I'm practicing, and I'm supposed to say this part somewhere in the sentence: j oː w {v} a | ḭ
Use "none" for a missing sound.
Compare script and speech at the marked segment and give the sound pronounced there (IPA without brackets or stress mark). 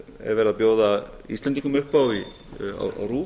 ð